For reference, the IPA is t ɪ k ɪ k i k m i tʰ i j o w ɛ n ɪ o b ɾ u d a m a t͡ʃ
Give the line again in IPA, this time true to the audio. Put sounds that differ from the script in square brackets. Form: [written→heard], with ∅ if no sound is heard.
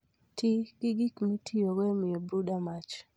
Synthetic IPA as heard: t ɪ k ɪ [k→ɡ] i k m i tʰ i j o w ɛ [n→m] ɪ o b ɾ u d a m a t͡ʃ